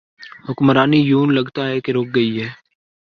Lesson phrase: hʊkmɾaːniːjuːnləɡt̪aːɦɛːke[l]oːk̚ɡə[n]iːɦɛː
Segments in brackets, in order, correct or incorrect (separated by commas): incorrect, incorrect